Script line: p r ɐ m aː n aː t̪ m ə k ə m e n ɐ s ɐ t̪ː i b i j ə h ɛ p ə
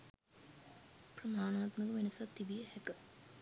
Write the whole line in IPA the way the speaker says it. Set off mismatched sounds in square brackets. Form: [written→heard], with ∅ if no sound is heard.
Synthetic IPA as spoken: p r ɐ m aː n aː t̪ m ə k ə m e n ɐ s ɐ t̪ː i b i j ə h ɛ [p→k] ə